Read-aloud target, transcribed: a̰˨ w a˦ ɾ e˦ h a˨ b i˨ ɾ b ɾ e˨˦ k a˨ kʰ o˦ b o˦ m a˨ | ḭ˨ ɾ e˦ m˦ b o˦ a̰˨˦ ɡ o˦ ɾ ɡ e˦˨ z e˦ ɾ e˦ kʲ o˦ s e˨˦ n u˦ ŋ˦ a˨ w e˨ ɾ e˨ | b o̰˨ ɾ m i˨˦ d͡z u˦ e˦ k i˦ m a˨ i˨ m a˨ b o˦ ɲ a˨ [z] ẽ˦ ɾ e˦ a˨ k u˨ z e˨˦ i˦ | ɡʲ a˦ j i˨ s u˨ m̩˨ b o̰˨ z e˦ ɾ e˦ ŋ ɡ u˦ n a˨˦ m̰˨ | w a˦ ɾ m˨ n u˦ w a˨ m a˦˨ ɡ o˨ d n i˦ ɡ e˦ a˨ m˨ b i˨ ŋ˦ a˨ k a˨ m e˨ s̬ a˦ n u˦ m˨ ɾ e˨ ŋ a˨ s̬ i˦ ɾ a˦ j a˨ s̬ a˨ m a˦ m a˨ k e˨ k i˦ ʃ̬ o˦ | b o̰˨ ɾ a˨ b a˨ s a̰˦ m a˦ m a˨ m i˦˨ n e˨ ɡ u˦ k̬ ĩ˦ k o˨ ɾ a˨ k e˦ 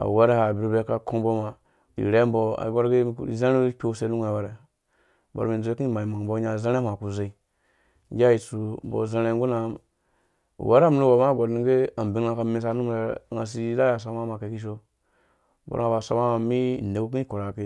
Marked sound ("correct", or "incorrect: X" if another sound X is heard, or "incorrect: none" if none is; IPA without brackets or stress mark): correct